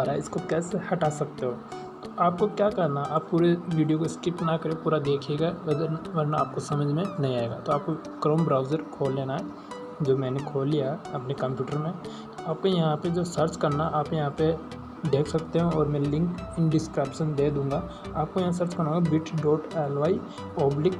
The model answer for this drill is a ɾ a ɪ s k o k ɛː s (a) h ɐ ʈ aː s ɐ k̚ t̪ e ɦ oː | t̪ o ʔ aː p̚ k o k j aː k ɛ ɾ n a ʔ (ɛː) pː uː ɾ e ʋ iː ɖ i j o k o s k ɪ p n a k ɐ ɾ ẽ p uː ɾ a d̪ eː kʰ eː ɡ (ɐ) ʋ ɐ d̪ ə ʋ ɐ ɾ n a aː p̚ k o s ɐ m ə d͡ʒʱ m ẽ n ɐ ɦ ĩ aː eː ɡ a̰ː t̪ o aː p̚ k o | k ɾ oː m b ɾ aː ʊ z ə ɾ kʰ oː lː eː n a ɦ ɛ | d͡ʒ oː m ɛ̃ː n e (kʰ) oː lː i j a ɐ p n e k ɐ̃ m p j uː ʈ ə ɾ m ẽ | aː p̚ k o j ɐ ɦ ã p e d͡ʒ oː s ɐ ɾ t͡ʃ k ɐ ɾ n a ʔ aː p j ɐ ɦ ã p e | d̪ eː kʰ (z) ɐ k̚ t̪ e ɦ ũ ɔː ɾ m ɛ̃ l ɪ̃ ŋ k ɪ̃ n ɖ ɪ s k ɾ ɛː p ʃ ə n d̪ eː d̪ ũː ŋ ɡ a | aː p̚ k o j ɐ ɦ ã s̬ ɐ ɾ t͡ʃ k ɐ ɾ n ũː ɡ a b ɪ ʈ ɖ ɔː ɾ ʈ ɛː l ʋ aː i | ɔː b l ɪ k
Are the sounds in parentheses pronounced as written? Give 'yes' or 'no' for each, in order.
no, no, no, yes, no

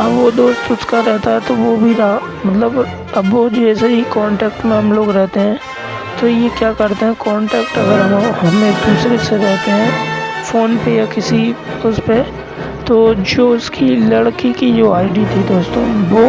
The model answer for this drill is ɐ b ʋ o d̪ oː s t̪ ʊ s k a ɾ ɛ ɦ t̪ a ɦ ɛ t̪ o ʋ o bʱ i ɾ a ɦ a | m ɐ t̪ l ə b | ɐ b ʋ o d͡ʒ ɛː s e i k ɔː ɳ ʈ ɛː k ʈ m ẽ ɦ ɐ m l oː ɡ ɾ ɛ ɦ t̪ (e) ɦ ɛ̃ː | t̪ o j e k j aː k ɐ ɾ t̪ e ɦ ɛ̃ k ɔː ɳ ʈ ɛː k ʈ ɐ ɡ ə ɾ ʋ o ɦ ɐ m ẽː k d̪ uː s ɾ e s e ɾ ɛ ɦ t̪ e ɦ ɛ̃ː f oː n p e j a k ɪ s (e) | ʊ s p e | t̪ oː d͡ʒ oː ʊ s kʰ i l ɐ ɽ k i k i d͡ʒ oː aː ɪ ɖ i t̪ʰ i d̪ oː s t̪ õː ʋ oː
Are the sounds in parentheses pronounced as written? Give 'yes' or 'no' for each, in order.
yes, no

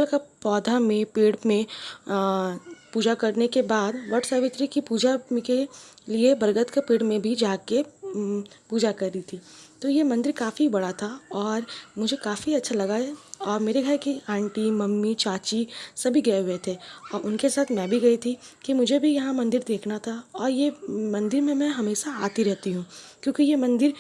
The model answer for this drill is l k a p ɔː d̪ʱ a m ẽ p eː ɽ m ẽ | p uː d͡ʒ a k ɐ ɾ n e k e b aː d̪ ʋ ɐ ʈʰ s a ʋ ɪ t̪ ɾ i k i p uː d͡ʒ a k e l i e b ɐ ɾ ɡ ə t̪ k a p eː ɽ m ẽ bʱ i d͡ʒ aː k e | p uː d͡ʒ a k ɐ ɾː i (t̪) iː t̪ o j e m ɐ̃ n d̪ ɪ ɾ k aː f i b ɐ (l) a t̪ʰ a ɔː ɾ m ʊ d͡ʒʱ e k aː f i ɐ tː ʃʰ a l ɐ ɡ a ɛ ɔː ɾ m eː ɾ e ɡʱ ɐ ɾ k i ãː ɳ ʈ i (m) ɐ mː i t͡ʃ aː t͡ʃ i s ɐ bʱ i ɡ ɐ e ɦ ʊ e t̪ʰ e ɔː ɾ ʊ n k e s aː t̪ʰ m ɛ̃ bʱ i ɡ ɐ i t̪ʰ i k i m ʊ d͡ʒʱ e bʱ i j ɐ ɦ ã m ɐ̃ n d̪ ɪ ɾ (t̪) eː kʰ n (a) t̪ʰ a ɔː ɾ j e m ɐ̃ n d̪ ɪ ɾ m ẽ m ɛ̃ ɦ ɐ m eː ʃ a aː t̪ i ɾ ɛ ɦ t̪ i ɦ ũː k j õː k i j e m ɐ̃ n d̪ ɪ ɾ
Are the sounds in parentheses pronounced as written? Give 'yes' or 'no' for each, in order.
no, no, yes, no, yes

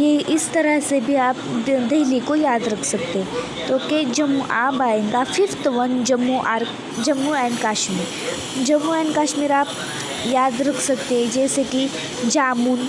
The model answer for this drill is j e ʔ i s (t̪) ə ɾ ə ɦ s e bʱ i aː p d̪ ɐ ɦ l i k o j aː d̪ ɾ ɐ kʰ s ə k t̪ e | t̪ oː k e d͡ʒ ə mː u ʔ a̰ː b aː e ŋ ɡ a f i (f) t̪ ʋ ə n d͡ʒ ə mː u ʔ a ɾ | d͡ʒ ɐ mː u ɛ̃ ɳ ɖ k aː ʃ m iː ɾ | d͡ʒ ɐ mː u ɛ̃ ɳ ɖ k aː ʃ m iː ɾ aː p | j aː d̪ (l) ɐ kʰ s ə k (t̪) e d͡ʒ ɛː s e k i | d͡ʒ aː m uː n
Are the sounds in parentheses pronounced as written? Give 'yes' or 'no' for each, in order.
yes, yes, no, yes

